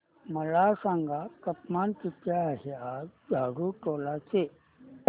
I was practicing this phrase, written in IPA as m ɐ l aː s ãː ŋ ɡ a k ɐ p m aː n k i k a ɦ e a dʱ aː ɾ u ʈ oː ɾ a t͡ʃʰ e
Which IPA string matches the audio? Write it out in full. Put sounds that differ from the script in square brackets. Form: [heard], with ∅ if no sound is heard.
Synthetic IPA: m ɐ l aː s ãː ŋ ɡ a k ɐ p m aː n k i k a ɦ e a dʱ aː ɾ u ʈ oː [l] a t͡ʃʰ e